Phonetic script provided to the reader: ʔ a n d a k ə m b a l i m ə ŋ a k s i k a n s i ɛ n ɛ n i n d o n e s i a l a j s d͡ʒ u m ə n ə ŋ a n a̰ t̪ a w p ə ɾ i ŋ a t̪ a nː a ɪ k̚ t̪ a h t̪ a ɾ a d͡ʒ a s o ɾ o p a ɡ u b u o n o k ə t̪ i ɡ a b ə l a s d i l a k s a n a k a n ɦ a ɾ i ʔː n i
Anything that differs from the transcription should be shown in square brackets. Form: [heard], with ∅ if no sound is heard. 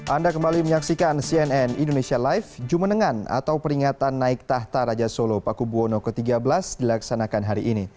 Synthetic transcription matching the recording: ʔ a n d a k ə m b a l i m ə [ɲ] a k s i k a n s i ɛ n ɛ n i n d o n e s i a l a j [f] d͡ʒ u m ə n ə ŋ a n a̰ t̪ a w p ə ɾ i ŋ a t̪ a nː a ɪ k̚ t̪ a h t̪ a ɾ a d͡ʒ a s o [l] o p a [k] u b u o n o k ə t̪ i ɡ a b ə l a s d i l a k s a n a k a n ɦ a ɾ i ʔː n i

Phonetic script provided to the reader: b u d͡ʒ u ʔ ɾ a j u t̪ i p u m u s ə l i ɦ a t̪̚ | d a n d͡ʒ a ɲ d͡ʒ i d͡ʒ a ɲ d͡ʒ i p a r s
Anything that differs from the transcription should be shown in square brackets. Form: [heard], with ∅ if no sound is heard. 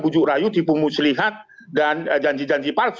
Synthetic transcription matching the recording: b u d͡ʒ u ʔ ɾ a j u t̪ i p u m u s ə l i ɦ a t̪̚ | d a n d͡ʒ a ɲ d͡ʒ i d͡ʒ a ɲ d͡ʒ i p a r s

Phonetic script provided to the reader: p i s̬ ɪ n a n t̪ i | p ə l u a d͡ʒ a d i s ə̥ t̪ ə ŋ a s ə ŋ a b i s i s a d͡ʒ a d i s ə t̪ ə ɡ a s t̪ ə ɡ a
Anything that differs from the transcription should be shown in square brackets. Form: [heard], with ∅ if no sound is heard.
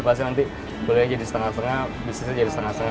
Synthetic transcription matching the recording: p [a] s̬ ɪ n a n t̪ i | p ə l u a d͡ʒ a d i s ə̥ t̪ ə ŋ a s ə ŋ a b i s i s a d͡ʒ a d i s ə t̪ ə [ŋ] a s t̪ ə [ŋ] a

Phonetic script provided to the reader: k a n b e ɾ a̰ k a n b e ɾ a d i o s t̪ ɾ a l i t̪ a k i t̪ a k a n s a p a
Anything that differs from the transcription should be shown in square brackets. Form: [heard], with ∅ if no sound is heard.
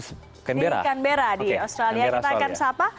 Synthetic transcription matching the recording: k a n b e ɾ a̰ k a n b e ɾ a d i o s t̪ ɾ a l i [∅] a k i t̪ a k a n s a p a

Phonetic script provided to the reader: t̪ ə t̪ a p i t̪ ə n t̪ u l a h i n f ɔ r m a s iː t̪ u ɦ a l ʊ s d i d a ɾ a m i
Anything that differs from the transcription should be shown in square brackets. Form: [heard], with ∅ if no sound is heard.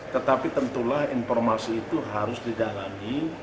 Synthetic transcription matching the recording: t̪ ə t̪ a p i t̪ ə n t̪ u l a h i n f ɔ r m a s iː t̪ u ɦ a [ɾ] ʊ s d i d a [l] a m i

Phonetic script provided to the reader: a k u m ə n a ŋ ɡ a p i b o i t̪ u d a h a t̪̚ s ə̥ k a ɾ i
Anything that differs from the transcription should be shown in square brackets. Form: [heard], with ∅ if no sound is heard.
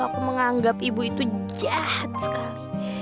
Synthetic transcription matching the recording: a k u m ə [ŋ] a ŋ ɡ a p i b [u] i t̪ u [d͡ʒ] a h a t̪̚ s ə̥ k a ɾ i

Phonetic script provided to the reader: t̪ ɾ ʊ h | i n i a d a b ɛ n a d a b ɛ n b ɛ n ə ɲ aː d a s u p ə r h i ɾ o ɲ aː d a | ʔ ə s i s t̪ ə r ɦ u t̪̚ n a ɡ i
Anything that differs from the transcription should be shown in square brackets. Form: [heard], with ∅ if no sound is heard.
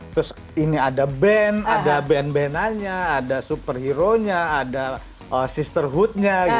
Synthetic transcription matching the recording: t̪ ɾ ʊ [s] | i n i a d a b ɛ n a d a b ɛ n b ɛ n [a] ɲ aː d a s u p ə r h i ɾ o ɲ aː d a | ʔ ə s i s t̪ ə r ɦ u t̪̚ [ɲ] a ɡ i

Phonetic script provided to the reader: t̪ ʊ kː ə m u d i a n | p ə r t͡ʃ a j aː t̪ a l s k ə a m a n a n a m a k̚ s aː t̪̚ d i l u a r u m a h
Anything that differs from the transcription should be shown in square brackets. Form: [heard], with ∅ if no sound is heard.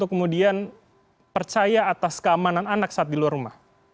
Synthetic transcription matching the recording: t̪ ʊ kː ə m u d i a n | p ə r t͡ʃ a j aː t̪ a [∅] s k ə a m a n a n a [n] a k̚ s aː t̪̚ d i l u a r u m a h

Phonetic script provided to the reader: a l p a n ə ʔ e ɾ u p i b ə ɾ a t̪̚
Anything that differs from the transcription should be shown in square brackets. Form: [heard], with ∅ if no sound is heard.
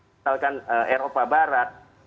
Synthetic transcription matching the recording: a l [k] a n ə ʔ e ɾ [o] p [a] b [a] ɾ a t̪̚

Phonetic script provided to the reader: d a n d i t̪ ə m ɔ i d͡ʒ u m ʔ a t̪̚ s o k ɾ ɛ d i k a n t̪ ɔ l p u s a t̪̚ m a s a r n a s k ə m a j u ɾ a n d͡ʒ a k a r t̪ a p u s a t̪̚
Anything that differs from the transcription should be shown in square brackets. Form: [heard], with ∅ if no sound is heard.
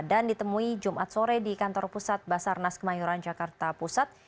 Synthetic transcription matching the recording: d a n d i t̪ ə m [u] i d͡ʒ u m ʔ a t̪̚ s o [∅] ɾ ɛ d i k a n t̪ ɔ [r] p u s a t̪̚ [b] a s a r n a s k ə m a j u ɾ a n d͡ʒ a k a r t̪ a p u s a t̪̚

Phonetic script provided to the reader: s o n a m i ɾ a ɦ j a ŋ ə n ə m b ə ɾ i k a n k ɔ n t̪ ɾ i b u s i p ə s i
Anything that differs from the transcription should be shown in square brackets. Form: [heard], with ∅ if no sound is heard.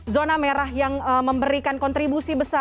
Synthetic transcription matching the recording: [z] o n a m [e] ɾ a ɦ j a ŋ ə [m] ə m b ə ɾ i k a n k ɔ n t̪ ɾ i b u s i [b] ə s [a]

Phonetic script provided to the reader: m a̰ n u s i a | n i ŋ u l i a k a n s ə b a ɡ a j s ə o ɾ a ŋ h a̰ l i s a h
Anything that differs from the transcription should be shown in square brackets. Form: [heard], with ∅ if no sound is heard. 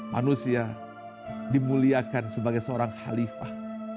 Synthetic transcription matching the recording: m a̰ n u s i a | [d] i [m] u l i a k a n s ə b a ɡ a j s ə o ɾ a ŋ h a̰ l i [f] a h

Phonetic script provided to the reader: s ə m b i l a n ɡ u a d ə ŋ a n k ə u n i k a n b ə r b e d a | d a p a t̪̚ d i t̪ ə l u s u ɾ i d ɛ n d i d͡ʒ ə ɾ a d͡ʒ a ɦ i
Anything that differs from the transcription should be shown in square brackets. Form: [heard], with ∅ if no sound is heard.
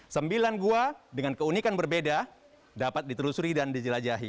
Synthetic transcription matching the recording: s ə m b i l a n ɡ u a d ə ŋ a n k ə u n i k a n b ə r b e d a | d a p a t̪̚ d i t̪ ə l u s u ɾ i d [a] n d i d͡ʒ ə [l] a d͡ʒ a ɦ i

